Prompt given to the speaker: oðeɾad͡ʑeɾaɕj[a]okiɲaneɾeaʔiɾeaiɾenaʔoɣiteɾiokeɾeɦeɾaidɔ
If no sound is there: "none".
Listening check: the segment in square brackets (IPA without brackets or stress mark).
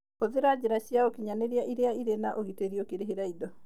a